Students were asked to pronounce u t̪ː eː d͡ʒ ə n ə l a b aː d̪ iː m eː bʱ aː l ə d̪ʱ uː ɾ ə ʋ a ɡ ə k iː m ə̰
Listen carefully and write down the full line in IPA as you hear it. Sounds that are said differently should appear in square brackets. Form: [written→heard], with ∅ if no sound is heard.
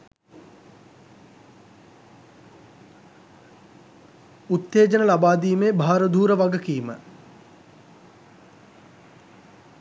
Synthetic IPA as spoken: u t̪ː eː d͡ʒ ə n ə l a b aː d̪ iː m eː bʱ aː [l→ɾ] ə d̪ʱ uː ɾ ə ʋ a ɡ ə k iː m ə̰